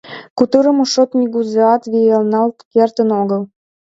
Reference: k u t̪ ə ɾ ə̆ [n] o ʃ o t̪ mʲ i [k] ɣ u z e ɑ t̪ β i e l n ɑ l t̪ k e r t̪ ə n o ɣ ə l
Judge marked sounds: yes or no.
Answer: no, no

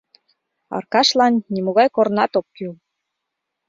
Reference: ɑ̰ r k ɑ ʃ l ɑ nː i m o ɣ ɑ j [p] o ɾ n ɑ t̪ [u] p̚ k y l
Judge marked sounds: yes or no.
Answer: no, no

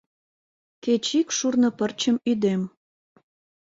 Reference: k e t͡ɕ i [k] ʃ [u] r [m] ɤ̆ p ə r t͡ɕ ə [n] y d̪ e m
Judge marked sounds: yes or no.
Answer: yes, yes, no, no

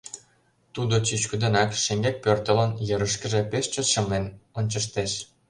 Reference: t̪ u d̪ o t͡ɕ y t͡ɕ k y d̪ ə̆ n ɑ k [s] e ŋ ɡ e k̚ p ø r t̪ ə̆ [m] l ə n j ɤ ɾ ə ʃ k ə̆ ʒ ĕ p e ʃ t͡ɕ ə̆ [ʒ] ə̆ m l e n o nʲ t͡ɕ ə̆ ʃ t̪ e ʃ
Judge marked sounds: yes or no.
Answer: no, no, no

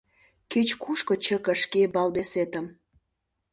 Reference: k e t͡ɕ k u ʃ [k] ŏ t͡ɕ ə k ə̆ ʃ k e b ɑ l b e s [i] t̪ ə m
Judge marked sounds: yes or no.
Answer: yes, no

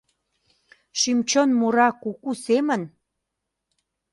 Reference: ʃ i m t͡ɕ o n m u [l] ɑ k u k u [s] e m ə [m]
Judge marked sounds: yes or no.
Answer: no, yes, no

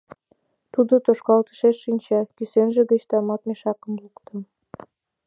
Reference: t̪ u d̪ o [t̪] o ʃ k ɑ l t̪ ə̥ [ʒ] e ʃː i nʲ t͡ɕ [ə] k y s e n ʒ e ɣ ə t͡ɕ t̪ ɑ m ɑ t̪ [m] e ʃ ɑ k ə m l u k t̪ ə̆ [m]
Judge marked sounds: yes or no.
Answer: yes, no, no, yes, yes

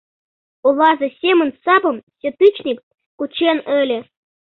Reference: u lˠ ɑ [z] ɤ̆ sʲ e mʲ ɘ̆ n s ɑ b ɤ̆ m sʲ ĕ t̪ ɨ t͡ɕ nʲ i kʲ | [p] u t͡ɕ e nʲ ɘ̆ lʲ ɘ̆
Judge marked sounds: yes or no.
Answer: yes, no

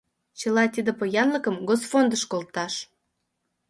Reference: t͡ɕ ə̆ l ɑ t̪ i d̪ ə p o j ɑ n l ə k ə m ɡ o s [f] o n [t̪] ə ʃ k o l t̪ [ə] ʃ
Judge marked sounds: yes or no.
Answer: yes, no, no

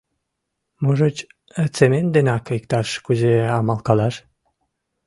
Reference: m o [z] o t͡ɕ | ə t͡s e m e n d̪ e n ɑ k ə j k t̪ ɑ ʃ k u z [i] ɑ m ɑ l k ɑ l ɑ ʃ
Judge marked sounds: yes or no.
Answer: no, no

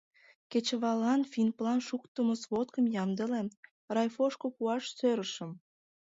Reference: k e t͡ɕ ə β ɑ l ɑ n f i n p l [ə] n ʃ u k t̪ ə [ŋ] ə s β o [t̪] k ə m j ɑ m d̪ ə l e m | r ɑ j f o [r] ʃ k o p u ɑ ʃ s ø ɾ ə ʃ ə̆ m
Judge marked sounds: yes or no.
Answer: no, no, yes, no

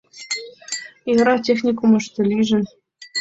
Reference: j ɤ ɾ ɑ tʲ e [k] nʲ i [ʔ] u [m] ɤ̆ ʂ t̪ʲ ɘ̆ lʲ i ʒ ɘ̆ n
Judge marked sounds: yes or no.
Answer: no, no, yes

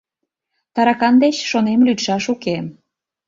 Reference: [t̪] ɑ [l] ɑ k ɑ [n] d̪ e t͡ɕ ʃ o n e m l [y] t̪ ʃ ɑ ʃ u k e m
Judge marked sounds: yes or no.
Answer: yes, no, yes, yes

